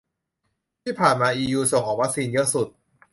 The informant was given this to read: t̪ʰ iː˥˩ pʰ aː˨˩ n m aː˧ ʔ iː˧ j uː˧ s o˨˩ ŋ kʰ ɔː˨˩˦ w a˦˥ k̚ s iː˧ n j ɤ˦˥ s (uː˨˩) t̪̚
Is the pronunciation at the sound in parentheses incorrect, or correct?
incorrect: u˨˩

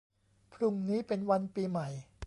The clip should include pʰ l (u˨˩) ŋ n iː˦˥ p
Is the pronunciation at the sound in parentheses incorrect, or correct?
correct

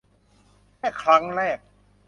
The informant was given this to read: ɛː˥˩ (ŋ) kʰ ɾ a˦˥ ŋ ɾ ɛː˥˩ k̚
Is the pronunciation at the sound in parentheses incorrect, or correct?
incorrect: none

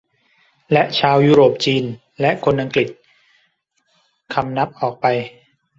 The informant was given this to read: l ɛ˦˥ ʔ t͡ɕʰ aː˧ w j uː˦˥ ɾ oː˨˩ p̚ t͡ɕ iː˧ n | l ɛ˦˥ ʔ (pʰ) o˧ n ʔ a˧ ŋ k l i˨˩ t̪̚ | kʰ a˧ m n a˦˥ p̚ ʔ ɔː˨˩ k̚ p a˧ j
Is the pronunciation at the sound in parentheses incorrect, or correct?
incorrect: kʰ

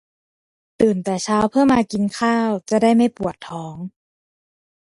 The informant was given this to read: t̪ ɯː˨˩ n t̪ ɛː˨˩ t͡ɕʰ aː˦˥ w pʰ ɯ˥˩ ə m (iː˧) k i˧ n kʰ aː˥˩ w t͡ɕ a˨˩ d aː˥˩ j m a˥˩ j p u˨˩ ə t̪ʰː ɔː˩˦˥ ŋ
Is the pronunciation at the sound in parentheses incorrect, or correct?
incorrect: aː˧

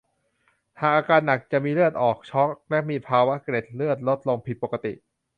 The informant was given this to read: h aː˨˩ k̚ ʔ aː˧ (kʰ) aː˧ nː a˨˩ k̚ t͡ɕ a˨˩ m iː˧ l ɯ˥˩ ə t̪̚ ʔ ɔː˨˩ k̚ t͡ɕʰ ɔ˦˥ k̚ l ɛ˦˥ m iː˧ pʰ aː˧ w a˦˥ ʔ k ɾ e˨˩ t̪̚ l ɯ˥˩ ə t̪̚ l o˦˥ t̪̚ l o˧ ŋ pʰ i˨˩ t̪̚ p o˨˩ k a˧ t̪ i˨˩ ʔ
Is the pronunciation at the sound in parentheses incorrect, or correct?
incorrect: k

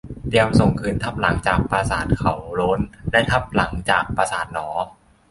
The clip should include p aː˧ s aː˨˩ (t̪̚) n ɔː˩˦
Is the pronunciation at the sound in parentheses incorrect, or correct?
correct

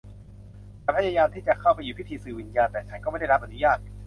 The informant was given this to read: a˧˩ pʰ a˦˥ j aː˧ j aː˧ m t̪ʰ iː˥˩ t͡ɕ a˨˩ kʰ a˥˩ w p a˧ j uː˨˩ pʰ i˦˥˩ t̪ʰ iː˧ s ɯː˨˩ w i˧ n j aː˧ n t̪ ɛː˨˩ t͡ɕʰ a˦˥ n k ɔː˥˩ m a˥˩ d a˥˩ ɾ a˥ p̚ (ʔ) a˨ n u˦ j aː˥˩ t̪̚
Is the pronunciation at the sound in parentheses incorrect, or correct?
correct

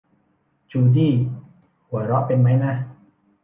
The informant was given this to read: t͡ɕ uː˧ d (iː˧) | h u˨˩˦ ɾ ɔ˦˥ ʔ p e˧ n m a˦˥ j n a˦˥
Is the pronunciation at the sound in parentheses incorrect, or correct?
incorrect: iː˥˩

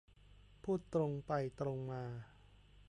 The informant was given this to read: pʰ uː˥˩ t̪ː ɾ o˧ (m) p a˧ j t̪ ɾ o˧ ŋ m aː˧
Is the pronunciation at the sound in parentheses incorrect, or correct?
incorrect: ŋ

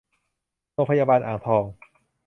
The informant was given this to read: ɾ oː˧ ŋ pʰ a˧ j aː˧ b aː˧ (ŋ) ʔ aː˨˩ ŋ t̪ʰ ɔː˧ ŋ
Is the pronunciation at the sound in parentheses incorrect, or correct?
incorrect: n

